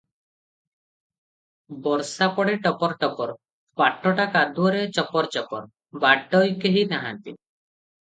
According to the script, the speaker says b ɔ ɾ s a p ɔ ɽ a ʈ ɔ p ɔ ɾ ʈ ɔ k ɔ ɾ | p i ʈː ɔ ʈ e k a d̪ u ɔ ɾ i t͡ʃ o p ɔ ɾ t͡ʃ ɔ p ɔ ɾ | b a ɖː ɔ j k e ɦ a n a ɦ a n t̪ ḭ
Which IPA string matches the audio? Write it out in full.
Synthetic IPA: b ɔ ɾ s a p ɔ ɽ e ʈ ɔ p ɔ ɾ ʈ ɔ p ɔ ɾ | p a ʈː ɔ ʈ a k a d̪ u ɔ ɾ e t͡ʃ ɔ p ɔ ɾ t͡ʃ ɔ p ɔ ɾ | b a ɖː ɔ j k e ɦ i n a ɦ a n t̪ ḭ